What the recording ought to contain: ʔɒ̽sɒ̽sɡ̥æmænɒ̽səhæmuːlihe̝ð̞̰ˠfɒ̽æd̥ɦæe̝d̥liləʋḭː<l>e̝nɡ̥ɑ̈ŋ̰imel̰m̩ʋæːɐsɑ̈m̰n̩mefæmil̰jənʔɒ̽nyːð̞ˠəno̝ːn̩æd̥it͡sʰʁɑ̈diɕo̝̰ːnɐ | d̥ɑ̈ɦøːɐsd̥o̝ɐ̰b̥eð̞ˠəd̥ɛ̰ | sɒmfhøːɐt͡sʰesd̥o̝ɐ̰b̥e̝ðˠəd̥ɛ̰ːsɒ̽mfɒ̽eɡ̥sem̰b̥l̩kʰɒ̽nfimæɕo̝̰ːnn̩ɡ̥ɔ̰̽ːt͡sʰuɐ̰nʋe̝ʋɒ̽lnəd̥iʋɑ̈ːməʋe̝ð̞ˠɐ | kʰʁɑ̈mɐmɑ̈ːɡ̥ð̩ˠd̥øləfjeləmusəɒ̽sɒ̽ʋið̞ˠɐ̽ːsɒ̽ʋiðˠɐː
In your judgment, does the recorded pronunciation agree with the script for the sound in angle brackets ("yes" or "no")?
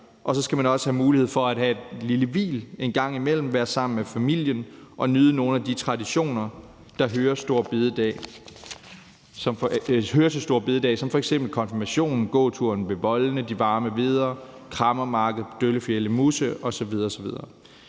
yes